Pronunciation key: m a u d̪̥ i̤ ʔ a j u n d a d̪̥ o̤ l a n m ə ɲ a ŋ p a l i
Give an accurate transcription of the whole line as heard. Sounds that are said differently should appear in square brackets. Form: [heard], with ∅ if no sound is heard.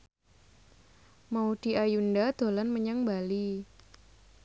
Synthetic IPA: m a u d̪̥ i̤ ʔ a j u n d a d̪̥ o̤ l a n m ə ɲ a ŋ [b] a l i